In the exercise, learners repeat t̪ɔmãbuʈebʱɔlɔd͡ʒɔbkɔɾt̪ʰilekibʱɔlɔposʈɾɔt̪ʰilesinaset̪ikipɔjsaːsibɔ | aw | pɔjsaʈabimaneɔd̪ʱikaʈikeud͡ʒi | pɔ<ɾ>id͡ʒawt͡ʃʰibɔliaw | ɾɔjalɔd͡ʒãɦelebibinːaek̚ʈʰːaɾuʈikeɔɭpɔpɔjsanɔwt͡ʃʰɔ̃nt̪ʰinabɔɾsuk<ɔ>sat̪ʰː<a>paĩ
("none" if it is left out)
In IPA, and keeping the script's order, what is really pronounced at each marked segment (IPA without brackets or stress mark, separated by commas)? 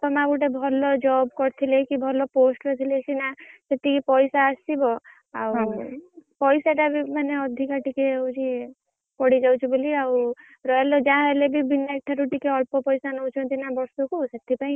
ɽ, u, i